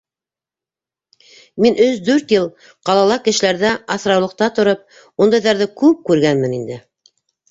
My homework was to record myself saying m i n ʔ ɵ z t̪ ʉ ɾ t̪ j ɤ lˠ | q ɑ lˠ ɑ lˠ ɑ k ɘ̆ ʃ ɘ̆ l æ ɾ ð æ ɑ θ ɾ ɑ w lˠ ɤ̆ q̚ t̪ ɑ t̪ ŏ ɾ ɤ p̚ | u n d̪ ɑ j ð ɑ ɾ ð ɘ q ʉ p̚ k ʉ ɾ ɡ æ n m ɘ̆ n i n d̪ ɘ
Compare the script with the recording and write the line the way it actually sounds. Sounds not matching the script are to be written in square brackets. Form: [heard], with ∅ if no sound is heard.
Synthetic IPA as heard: m i n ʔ ɵ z [d̪] ʉ ɾ t̪ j ɤ lˠ | q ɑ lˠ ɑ lˠ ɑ k ɘ̆ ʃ ɘ̆ l æ ɾ ð æ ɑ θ ɾ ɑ w lˠ ɤ̆ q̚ t̪ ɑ t̪ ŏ ɾ ɤ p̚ | u n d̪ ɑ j ð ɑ ɾ ð ɘ [k] ʉ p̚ k ʉ ɾ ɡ æ n m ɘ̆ n i n d̪ ɘ